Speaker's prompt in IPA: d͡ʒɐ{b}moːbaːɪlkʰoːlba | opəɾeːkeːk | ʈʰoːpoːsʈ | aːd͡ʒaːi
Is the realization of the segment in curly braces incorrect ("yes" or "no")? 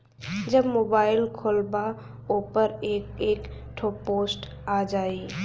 no